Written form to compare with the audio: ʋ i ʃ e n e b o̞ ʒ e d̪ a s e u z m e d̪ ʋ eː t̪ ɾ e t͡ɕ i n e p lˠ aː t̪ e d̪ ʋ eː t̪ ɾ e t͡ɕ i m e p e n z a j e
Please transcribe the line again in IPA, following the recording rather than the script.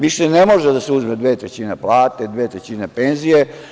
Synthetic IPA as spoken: ʋ i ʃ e n e m o̞ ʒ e d̪ a s e u z m e d̪ ʋ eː t̪ ɾ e t͡ɕ i n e p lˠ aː t̪ e d̪ ʋ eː t̪ ɾ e t͡ɕ i n e p e n z i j e

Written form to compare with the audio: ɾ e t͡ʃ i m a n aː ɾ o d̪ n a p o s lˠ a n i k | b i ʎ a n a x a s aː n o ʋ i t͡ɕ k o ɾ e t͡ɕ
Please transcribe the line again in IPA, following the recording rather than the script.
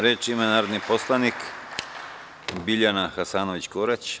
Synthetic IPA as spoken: ɾ e t͡ʃ i m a n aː ɾ o d̪ n i p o s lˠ a n i k | b i ʎ a n a x a s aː n o ʋ i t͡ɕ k o ɾ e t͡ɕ

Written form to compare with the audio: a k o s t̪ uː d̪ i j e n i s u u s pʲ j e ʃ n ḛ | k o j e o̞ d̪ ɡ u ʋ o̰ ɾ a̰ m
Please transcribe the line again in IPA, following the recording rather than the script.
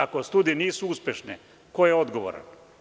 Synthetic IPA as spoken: a k o s t̪ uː d̪ i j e n iː s u u s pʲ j e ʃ n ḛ | k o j e o̞ d̪ ɡ o ʋ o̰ ɾ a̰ n

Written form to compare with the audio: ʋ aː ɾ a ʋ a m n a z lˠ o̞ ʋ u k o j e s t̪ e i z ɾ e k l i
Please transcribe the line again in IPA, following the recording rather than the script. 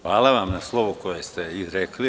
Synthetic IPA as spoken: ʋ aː l a ʋ a m n a s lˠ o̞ ʋ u k o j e s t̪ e i z ɾ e k l i

